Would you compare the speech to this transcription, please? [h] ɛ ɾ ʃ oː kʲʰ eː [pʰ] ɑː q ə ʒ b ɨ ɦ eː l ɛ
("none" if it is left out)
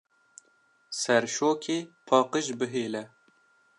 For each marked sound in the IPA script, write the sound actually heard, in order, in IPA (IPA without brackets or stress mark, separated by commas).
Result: s, pʰ